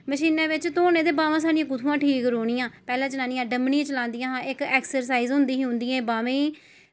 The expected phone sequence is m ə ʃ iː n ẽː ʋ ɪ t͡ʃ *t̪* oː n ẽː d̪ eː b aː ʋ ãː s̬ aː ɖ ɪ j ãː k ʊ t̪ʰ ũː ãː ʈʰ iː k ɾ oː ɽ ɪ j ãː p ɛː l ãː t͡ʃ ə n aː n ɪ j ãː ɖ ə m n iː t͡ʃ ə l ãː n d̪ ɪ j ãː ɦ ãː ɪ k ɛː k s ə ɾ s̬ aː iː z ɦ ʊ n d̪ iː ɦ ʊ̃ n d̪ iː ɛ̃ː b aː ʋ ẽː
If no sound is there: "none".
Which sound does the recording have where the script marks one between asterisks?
t̪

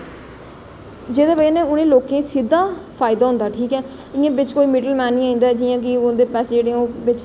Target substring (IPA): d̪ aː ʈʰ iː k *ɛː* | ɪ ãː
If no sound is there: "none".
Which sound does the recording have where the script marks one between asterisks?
ɛː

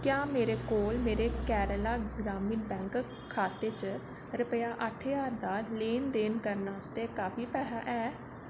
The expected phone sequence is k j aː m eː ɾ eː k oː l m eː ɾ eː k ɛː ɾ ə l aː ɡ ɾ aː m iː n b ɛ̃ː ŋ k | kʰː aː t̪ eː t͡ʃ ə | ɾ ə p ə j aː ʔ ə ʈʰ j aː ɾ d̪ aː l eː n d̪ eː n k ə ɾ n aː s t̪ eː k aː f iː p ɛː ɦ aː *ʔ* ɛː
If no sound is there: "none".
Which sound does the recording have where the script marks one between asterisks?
ʔ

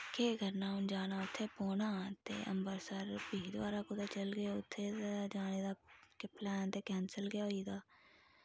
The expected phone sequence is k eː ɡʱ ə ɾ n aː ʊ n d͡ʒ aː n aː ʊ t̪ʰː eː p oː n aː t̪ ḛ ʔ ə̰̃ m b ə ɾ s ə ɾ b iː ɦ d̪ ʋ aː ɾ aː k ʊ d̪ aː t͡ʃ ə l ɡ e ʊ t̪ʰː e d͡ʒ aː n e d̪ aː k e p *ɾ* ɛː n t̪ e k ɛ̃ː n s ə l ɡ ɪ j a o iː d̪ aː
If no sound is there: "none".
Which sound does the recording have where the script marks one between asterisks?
l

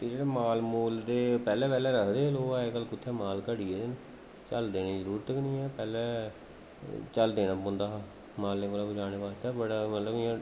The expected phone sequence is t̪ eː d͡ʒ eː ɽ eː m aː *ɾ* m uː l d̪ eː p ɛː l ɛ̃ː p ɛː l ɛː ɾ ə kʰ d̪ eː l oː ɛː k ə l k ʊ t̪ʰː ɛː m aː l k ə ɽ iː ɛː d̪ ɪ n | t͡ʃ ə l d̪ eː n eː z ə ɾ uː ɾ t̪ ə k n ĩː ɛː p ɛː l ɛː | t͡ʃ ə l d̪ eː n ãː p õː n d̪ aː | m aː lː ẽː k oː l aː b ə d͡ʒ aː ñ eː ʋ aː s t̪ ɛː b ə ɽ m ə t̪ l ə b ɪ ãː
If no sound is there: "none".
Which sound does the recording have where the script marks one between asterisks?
l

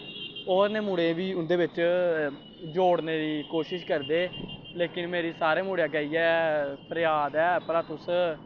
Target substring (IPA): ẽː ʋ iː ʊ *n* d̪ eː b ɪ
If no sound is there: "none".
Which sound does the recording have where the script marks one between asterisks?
n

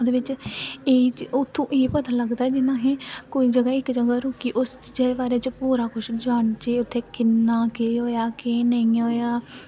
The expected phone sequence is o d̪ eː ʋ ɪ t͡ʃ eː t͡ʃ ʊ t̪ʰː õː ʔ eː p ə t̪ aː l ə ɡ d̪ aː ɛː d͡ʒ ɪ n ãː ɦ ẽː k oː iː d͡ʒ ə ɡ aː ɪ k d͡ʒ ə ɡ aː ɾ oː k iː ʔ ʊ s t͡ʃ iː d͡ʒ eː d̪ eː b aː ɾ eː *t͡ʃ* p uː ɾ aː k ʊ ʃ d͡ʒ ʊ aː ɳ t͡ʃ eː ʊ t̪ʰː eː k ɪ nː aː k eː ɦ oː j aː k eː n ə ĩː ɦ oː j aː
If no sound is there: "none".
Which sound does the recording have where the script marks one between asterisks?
t͡ʃ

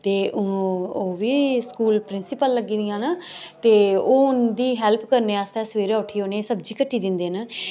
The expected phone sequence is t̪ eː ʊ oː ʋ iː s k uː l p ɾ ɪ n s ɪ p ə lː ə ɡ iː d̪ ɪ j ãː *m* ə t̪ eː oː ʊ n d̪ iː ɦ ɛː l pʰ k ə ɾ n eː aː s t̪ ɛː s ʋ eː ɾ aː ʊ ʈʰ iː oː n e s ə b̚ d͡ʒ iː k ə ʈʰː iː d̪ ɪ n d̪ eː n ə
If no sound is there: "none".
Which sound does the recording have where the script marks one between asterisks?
n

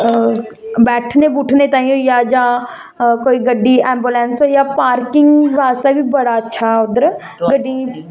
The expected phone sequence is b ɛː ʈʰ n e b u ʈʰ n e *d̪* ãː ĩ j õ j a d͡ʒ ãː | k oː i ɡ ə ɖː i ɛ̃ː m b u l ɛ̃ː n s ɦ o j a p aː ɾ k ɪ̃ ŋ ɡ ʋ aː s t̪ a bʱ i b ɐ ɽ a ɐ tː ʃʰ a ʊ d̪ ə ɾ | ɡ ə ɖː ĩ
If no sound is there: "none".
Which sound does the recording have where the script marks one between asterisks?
t̪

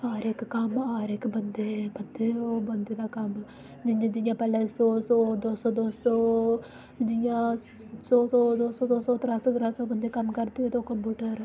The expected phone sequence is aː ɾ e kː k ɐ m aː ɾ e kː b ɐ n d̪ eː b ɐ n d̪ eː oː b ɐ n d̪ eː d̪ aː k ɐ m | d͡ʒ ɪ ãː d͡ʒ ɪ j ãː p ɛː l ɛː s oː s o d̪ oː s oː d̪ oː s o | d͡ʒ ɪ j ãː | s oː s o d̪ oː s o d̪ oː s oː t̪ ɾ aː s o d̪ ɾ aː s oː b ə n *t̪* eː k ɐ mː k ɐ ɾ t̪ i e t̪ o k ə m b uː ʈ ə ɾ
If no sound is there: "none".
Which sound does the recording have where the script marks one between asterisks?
d̪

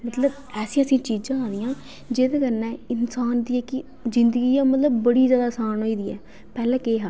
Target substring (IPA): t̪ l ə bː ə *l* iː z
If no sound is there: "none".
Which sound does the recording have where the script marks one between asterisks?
ɽ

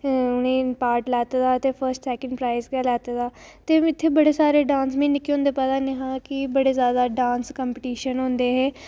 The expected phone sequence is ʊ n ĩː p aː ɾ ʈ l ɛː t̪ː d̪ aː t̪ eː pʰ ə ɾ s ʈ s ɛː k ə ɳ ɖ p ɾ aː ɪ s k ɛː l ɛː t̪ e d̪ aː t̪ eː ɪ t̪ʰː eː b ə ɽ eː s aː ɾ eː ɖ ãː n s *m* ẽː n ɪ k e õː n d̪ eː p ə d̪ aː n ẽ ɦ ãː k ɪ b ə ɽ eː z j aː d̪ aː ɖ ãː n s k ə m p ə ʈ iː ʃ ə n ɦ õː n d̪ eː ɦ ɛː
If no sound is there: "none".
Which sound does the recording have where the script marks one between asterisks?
m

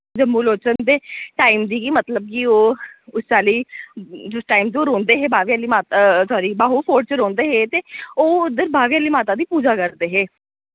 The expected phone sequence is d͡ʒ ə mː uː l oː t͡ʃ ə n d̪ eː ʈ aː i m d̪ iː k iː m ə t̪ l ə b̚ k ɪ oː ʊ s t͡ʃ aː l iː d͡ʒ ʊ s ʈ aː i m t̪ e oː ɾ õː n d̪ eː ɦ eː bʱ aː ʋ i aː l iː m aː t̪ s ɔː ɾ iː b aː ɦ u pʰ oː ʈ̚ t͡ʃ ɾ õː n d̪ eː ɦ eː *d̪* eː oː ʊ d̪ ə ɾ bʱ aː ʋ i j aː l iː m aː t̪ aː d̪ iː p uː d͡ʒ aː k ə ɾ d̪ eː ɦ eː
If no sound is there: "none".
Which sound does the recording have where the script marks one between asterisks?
t̪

